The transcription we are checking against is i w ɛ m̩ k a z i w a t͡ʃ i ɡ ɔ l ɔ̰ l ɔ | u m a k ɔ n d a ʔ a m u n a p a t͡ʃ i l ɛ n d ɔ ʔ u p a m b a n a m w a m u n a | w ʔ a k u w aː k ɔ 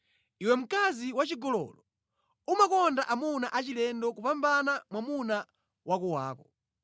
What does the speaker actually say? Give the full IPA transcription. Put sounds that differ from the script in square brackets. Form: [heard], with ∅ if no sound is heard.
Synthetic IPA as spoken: i w ɛ m̩ k a z i w a t͡ʃ i ɡ ɔ l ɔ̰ l ɔ | u m a k ɔ n d a ʔ a m u n a [ʔ] a t͡ʃ i l ɛ n d ɔ [k] u p a m b a n a m w a m u n a | w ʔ a k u w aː k ɔ

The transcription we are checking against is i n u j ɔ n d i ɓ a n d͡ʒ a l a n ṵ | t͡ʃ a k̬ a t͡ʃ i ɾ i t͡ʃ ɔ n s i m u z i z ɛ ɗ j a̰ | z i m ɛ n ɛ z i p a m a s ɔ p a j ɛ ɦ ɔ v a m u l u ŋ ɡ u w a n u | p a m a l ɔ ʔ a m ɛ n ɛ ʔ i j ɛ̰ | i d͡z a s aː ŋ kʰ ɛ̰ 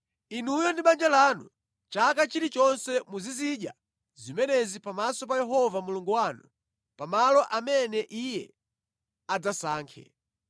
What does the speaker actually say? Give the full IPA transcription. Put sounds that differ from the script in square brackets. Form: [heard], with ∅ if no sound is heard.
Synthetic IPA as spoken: i n u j ɔ n d i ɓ a n d͡ʒ a l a n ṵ | t͡ʃ a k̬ a t͡ʃ i ɾ i t͡ʃ ɔ n s [ɛ] m u z i z [i] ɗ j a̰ | z i m ɛ n ɛ z i p a m a s ɔ p a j ɛ ɦ ɔ v a m u l u ŋ ɡ u w a n u | p a m a l ɔ ʔ a m ɛ n ɛ ʔ i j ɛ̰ | [a] d͡z a s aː ŋ kʰ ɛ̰

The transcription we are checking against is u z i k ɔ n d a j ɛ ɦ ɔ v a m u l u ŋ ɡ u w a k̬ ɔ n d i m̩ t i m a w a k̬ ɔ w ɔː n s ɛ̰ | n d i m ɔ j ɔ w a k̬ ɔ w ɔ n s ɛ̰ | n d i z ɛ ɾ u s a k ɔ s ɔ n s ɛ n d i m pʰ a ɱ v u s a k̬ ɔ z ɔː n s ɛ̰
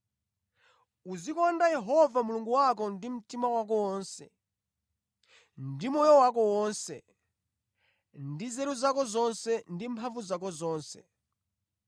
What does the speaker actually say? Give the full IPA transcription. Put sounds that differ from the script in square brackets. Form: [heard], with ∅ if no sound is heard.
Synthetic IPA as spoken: u z i k ɔ n d a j ɛ ɦ ɔ v a m u l u ŋ ɡ u w a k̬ ɔ n d i m̩ t i m a w a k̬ ɔ w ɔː n s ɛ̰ | n d i m ɔ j ɔ w a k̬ ɔ w ɔ n s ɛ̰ | n d i z ɛ ɾ u [z] a k ɔ [z] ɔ n s ɛ n d i m pʰ a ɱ v u [z] a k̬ ɔ z ɔː n s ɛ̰

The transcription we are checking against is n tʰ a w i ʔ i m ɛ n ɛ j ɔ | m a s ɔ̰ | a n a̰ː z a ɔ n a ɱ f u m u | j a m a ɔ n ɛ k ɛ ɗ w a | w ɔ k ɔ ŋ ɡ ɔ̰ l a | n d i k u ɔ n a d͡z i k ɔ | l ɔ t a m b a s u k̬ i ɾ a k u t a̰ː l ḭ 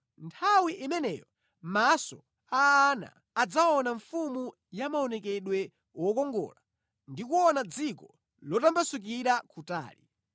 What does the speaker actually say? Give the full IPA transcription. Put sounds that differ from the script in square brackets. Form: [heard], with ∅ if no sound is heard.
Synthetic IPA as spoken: n tʰ a w i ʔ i m ɛ n ɛ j ɔ | m a s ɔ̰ | a n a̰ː [d͡z] a ɔ n a ɱ f u m u | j a m a ɔ n ɛ k ɛ ɗ w [ɛ] | w ɔ k ɔ ŋ ɡ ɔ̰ l a | n d i k u ɔ n a d͡z i k ɔ | l ɔ t a m b a s u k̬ i ɾ a k u t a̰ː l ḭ

